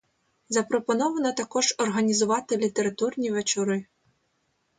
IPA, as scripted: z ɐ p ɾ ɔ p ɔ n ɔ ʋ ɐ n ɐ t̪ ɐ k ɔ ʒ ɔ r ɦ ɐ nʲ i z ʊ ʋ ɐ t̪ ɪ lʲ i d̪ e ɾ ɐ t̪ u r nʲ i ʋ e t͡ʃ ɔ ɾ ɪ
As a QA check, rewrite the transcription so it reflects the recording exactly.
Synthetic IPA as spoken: z ɐ p ɾ ɔ p ɔ n ɔ ʋ ɐ n ɐ t̪ ɐ k ɔ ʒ ɔ r ɦ ɐ nʲ i z ʊ ʋ ɑ t̪ ɪ lʲ i t̪ e ɾ ɐ t̪ u r nʲ i ʋ e t͡ʃ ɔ ɾ ɪ